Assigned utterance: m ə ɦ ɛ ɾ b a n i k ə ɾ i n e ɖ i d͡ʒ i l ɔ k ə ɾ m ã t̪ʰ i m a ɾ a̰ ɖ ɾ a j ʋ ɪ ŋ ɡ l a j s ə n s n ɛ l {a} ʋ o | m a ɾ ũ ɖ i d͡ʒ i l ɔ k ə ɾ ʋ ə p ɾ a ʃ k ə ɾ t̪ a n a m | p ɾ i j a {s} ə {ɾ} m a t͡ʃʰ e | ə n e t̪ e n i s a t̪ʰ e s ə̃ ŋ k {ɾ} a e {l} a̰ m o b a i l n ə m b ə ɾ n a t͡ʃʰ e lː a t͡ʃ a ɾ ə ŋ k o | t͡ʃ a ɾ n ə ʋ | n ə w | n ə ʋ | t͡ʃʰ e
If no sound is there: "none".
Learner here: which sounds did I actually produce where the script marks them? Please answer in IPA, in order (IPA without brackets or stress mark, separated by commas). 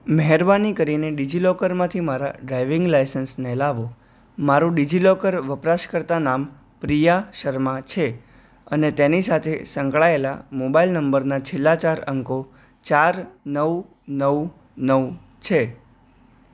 a, ʃ, ɾ, ɭ, l